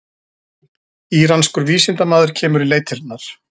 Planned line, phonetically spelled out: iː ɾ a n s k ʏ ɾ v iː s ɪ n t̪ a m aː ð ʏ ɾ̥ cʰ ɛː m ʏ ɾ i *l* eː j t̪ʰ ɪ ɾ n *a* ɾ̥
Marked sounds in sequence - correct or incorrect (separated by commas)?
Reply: correct, correct